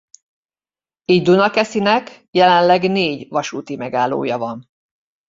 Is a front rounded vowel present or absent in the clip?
absent